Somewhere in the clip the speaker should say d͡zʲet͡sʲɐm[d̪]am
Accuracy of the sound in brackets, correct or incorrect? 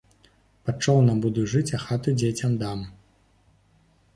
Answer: correct